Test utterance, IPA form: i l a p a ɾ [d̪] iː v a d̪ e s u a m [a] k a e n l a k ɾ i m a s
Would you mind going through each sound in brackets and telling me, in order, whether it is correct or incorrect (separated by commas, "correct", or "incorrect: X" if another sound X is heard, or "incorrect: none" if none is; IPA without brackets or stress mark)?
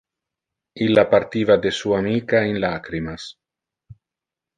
incorrect: t̪, incorrect: i